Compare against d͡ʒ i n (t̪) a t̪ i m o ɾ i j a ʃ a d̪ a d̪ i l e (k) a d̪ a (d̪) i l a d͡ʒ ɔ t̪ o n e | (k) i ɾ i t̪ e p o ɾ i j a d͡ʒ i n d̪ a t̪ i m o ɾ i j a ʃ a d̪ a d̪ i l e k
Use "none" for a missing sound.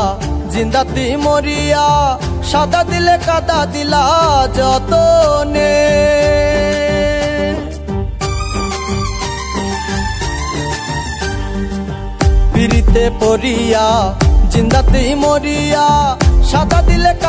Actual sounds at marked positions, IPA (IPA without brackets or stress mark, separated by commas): d̪, k, d̪, p